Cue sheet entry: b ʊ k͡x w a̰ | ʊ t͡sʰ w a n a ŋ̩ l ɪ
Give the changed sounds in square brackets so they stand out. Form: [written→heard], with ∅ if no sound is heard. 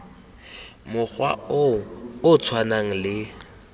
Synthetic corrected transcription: [b→m] ʊ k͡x w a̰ | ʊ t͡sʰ w a n a ŋ̩ l ɪ

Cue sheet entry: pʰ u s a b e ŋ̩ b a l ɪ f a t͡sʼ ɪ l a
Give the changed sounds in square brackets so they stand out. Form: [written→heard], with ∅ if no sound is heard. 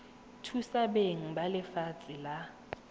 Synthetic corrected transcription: [pʰ→tʰ] u s a b e ŋ̩ b a l ɪ f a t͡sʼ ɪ l a

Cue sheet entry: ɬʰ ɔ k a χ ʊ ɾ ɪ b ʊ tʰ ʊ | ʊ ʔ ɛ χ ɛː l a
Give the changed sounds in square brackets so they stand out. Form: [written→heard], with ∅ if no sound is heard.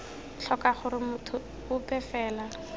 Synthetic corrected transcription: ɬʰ ɔ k a χ ʊ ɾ ɪ [b→m] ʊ tʰ ʊ | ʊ [ʔ→p] ɛ [χ→f] ɛː l a

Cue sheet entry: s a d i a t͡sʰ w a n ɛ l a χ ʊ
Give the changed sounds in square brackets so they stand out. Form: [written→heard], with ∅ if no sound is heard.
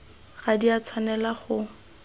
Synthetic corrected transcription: [s→χ] a d i a t͡sʰ w a n ɛ l a χ ʊ

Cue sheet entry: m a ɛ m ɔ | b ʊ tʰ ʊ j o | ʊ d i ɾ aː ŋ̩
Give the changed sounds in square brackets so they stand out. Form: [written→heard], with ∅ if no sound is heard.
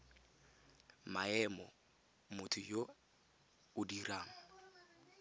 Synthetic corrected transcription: m a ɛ m ɔ | [b→m] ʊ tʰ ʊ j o | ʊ d i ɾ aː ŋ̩

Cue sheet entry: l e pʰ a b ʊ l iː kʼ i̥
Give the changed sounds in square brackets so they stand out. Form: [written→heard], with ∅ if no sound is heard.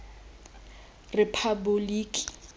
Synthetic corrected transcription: [l→r] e pʰ a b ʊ l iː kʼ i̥

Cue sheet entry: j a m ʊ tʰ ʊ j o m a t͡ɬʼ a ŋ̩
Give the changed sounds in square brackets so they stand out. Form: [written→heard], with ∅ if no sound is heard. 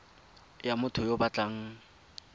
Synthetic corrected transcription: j a m ʊ tʰ ʊ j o [m→b] a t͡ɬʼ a ŋ̩

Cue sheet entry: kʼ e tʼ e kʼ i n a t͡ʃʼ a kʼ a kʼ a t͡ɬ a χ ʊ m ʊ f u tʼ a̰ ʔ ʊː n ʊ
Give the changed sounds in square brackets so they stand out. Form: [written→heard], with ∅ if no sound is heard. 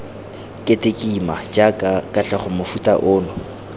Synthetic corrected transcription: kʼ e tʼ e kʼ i [n→m] a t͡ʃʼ a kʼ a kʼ a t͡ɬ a χ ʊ m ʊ f u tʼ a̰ ʔ ʊː n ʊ

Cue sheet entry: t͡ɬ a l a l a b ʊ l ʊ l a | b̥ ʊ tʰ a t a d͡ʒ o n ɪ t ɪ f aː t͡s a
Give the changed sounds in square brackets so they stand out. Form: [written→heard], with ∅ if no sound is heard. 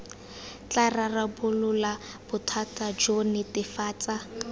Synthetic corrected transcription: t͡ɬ a [l→r] a [l→r] a b ʊ l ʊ l a | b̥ ʊ tʰ a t a d͡ʒ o n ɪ t ɪ f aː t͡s a

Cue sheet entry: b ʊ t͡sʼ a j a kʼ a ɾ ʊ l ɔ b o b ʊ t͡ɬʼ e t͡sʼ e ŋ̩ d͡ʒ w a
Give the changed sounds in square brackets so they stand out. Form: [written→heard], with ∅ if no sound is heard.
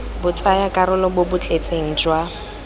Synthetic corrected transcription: b ʊ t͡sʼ a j a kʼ a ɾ ʊ l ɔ b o b ʊ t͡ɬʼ e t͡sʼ e ŋ̩ d͡ʒ w a

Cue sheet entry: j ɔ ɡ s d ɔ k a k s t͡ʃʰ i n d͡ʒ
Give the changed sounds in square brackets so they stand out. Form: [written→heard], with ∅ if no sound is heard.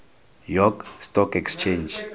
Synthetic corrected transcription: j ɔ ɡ s [d→t] ɔ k [a→ɛ] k s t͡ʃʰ [i→e] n d͡ʒ

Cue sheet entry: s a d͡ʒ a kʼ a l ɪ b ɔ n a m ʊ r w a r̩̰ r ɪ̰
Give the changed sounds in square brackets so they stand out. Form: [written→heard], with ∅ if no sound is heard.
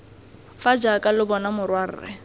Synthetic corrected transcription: [s→f] a d͡ʒ a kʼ a l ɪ b ɔ n a m ʊ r w a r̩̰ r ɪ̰

